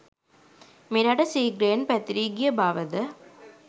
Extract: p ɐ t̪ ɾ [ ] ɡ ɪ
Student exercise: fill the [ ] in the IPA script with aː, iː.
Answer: iː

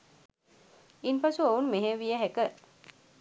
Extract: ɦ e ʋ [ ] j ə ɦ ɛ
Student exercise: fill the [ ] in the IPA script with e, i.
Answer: i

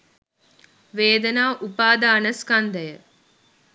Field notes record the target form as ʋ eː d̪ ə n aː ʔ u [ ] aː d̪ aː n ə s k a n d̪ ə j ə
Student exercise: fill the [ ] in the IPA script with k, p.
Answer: p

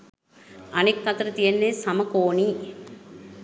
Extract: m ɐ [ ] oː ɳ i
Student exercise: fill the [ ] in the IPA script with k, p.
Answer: k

